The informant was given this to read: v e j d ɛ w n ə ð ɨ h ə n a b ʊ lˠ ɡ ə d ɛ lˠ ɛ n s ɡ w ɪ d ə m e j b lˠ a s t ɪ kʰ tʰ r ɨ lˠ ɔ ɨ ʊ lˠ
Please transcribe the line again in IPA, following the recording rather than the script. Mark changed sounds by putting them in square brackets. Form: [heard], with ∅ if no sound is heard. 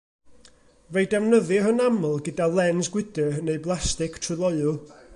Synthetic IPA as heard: v e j d ɛ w n ə ð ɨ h ə n a [m] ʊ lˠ ɡ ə d [a] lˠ ɛ n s ɡ w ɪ d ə [n] e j b lˠ a s t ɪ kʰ tʰ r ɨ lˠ ɔ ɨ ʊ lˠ